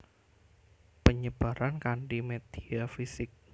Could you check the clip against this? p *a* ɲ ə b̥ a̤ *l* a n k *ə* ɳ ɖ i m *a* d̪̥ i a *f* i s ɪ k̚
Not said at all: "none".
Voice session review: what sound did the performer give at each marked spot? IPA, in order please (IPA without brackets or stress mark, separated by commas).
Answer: ə, ɾ, a, e, f